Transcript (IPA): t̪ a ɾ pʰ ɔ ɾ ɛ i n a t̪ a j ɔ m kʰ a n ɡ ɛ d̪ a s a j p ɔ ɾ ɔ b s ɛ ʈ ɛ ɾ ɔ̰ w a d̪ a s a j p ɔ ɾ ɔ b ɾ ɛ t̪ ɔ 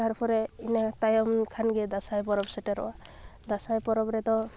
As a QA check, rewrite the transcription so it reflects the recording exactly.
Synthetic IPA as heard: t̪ a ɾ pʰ ɔ ɾ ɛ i n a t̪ a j ɔ m kʰ a n ɡ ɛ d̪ a s a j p ɔ ɾ ɔ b s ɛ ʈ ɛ ɾ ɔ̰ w a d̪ a s a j p ɔ ɾ ɔ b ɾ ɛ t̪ ɔ